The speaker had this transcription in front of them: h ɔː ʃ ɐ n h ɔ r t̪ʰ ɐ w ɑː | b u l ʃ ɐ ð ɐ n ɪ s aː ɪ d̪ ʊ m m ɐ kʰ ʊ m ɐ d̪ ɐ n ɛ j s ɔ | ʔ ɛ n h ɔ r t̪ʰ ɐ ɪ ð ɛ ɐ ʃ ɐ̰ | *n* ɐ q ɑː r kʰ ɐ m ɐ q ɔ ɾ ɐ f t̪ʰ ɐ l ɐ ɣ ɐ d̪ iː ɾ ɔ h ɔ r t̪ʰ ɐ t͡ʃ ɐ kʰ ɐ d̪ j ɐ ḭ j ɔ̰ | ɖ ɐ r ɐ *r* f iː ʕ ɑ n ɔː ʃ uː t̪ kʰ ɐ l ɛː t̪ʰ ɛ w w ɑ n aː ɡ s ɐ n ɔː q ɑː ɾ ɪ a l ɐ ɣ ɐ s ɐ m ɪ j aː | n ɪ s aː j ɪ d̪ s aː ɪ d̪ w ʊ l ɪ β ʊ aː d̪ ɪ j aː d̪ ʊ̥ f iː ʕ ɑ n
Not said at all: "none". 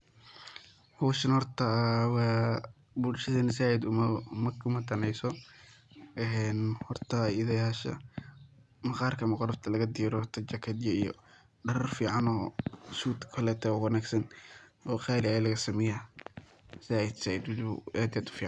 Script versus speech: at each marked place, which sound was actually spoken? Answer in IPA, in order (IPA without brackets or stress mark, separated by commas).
m, r